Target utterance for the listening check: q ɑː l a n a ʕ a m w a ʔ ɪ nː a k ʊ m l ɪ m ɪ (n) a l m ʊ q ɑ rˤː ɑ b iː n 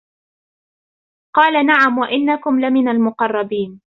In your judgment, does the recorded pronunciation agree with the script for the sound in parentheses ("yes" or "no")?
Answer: yes